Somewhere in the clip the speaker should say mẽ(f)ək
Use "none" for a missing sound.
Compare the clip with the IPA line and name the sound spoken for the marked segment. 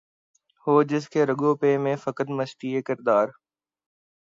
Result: f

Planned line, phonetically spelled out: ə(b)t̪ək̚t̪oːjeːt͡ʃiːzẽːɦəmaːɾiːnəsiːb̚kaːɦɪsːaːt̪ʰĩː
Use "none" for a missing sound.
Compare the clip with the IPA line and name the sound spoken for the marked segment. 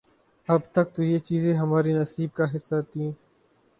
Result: b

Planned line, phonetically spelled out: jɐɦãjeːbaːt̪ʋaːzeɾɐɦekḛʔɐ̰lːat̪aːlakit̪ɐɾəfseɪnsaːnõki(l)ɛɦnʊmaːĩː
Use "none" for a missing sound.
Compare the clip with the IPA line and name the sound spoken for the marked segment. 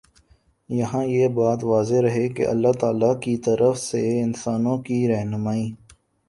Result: ɾ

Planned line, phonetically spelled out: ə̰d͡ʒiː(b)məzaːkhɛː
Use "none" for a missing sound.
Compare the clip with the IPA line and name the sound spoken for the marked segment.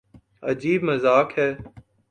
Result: b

